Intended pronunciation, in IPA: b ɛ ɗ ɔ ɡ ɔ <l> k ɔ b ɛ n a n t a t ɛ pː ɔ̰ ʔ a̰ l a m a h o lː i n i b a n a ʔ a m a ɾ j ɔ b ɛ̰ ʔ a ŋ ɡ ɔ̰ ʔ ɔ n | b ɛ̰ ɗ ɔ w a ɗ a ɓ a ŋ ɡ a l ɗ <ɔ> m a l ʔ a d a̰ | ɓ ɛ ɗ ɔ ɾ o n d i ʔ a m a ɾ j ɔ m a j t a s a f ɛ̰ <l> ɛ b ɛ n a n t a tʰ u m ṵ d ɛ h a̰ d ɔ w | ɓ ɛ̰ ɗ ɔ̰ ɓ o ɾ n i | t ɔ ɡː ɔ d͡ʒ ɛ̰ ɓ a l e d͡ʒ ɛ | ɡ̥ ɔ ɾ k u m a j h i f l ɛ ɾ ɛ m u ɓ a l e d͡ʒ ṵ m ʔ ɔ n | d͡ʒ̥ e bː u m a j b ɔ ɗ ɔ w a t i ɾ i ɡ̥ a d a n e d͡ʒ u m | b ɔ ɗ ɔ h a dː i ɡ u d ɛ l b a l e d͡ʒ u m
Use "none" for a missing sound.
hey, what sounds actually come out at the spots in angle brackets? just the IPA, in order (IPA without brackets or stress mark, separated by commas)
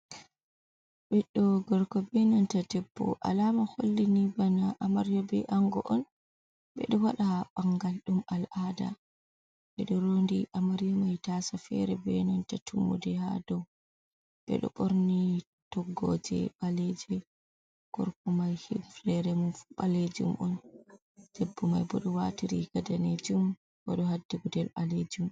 ɾ, u, ɾ